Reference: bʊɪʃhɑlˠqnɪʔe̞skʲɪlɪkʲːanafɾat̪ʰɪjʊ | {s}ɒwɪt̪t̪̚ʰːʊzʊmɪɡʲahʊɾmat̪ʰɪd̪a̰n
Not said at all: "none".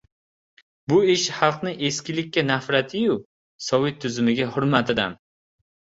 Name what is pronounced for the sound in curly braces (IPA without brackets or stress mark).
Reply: s